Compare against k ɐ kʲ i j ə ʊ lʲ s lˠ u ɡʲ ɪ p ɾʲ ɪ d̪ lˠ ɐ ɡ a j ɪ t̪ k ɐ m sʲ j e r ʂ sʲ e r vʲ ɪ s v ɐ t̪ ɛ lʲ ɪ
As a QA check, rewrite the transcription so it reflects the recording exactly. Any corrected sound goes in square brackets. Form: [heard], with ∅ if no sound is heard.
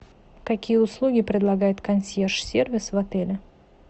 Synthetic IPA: k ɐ kʲ i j ə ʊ [∅] s lˠ u ɡʲ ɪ p ɾʲ ɪ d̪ lˠ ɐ ɡ a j ɪ t̪ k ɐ [n] sʲ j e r ʂ sʲ e r vʲ ɪ s v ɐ t̪ ɛ lʲ ɪ